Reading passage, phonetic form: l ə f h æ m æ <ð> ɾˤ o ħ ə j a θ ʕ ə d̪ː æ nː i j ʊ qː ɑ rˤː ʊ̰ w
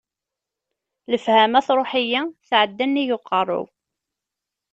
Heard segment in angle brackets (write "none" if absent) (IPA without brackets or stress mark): θ